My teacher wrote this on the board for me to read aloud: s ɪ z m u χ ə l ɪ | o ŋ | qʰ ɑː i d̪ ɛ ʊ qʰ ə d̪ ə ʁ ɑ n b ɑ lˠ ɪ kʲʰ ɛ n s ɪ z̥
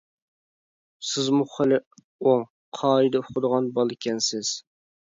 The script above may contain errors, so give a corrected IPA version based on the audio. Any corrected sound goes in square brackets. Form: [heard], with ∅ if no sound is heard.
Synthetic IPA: s ɪ z m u χ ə l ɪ | o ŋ | qʰ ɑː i d̪ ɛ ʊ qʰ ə d̪ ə ʁ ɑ n b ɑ lˠ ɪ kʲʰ ɛ n s ɪ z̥